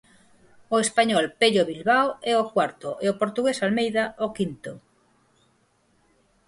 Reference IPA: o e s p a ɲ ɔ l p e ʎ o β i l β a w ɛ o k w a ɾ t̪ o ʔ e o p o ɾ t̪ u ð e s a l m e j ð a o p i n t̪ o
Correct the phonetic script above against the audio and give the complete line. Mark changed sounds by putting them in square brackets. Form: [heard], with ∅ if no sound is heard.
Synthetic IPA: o e s p a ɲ ɔ l p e ʎ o β i l β a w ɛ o k w a ɾ t̪ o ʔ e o p o ɾ t̪ u [ɣ] e s a l m e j ð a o [k] i n t̪ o